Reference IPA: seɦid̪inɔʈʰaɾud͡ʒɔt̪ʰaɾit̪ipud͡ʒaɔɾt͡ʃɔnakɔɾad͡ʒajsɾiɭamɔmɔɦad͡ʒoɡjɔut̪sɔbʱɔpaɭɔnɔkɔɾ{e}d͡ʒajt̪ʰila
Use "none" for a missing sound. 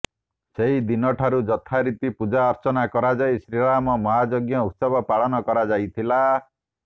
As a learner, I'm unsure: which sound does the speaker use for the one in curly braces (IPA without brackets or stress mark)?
a